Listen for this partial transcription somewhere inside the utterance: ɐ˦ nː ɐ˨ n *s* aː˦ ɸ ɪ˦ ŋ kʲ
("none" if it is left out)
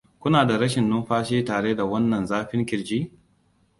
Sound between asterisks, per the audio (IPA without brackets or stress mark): z